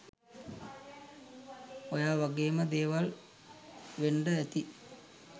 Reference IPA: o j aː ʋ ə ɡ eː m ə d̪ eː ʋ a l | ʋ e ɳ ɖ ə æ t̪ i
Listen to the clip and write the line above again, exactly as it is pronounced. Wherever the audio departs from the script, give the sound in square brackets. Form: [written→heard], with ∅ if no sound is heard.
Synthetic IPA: o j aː ʋ [ə→a] ɡ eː m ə d̪ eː ʋ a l | ʋ e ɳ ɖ ə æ t̪ i